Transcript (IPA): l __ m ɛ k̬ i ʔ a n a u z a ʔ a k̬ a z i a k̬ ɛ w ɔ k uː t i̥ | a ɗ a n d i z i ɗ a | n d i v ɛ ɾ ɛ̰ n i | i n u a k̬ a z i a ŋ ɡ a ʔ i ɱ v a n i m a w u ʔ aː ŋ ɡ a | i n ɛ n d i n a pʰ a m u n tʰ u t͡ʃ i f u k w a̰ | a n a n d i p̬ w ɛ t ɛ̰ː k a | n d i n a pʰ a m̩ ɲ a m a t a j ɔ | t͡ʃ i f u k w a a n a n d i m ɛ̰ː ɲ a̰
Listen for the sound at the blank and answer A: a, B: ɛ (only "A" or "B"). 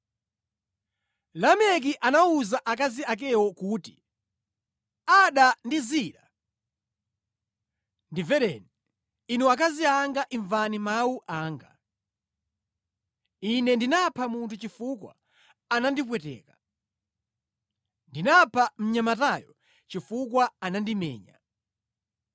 A